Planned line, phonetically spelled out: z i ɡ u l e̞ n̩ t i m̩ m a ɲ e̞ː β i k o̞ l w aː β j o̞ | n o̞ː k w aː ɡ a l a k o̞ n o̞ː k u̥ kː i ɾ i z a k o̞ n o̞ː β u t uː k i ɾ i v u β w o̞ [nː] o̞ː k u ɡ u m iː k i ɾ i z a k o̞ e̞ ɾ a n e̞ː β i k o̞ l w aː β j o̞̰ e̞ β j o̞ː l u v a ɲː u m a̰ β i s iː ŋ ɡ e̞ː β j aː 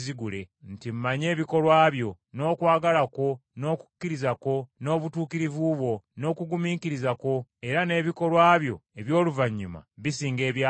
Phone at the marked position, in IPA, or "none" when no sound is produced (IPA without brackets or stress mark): n